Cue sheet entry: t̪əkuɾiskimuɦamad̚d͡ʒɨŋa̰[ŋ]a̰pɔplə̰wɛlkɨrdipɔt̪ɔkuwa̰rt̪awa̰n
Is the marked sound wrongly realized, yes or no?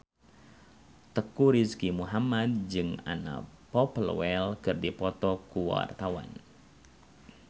yes